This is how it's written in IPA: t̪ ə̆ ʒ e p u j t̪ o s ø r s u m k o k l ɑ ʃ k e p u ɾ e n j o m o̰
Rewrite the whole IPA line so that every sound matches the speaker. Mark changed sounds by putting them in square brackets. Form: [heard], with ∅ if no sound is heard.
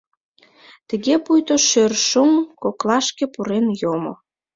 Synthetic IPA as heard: t̪ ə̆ [ɣ] e p u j t̪ o [ʃ] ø r [ʃ] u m k o k l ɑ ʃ k e p u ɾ e n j o m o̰